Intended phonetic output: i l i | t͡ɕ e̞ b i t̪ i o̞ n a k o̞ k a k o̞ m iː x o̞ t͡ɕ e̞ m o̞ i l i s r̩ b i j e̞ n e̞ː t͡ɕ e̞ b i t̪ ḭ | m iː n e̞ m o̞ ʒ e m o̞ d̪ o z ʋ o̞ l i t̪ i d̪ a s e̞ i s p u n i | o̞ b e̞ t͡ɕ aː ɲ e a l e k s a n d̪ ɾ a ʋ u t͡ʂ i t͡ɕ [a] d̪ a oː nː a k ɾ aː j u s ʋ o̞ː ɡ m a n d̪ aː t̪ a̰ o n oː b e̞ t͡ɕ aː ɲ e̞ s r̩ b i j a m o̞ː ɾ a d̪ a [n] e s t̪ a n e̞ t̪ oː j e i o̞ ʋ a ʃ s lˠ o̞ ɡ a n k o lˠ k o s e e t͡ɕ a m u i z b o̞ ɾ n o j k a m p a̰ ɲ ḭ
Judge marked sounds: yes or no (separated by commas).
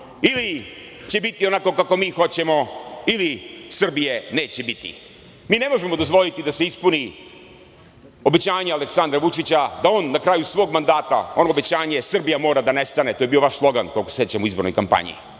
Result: yes, yes